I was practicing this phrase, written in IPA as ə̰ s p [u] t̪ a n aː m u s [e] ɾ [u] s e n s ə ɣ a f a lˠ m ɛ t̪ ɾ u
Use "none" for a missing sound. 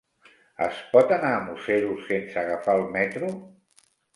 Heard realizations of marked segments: ɔ, e, u

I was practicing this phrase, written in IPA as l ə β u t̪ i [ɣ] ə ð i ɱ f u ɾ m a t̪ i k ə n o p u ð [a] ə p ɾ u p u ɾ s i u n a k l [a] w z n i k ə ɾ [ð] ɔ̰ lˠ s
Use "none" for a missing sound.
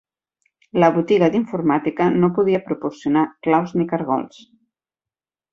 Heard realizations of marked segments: ɣ, i, a, ɣ

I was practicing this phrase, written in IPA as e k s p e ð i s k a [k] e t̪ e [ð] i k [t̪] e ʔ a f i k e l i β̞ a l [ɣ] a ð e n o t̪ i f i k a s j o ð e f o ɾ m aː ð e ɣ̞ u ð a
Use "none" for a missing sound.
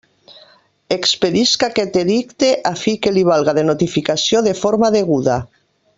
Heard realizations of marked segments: k, ð, t̪, ɣ

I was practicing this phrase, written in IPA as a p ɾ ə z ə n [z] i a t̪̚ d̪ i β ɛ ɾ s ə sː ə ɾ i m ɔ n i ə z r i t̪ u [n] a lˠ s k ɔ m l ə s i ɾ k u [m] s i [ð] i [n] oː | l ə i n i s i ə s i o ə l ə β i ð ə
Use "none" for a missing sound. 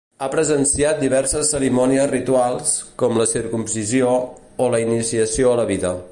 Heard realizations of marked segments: s, none, m, z, none

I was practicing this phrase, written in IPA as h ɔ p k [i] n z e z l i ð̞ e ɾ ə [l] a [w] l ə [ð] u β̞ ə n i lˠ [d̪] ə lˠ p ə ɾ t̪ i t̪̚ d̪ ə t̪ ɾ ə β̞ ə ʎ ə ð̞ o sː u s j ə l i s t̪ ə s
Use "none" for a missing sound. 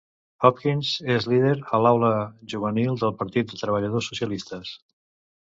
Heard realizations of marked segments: i, l, w, ʒ, d̪

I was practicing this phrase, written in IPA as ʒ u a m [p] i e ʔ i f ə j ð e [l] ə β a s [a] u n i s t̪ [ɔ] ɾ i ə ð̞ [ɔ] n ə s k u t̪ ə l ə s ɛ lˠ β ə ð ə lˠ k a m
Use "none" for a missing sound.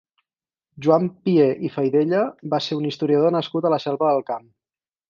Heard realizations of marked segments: p, ʎ, e, u, o

